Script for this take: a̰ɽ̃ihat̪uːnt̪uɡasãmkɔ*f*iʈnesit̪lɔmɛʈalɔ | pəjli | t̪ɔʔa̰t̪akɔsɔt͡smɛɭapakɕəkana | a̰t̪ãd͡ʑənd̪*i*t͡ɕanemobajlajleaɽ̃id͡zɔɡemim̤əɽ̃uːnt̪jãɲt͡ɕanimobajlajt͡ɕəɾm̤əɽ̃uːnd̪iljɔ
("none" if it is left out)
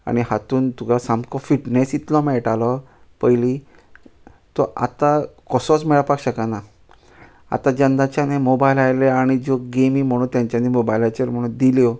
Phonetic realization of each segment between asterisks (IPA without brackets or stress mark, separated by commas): f, a